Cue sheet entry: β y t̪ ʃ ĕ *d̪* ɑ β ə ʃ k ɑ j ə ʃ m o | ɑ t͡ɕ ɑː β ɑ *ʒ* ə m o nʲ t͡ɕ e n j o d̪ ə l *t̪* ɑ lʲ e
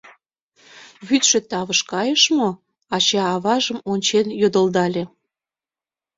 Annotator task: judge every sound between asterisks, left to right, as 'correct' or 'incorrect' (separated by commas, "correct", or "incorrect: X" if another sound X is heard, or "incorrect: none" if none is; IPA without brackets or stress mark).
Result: incorrect: t̪, correct, incorrect: d̪